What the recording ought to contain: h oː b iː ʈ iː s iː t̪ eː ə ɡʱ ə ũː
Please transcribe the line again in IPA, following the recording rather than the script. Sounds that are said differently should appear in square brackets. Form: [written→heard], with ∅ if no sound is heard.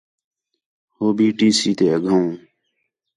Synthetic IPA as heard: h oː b iː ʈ iː s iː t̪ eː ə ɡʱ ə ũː

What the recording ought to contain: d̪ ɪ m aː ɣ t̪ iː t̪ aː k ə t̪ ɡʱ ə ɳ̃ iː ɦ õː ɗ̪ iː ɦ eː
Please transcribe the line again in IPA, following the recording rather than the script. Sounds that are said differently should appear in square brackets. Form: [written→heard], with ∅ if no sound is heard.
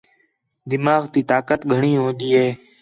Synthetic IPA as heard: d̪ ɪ m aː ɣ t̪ iː t̪ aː k ə t̪ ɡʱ ə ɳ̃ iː ɦ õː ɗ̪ iː ɦ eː

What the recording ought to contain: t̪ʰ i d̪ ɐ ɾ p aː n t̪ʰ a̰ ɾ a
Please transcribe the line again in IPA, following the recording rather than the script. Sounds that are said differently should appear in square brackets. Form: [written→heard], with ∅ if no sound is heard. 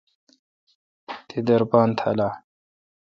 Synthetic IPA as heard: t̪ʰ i d̪ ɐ ɾ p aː n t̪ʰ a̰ [ɾ→l] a

